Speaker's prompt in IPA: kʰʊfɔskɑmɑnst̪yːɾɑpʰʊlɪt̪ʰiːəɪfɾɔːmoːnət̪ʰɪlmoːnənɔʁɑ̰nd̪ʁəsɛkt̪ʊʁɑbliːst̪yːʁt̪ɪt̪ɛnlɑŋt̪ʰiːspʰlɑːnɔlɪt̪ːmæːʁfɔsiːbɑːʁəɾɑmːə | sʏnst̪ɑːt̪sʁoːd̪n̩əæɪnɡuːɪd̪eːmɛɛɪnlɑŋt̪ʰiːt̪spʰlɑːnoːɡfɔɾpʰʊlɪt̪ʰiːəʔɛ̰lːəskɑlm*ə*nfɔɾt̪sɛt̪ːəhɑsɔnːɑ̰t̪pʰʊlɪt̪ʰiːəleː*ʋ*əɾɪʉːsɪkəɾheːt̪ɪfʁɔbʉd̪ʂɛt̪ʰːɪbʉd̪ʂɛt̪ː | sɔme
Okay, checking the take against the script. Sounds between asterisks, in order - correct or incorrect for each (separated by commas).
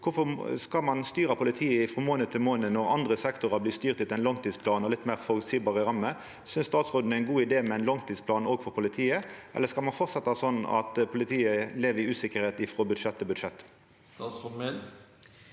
incorrect, correct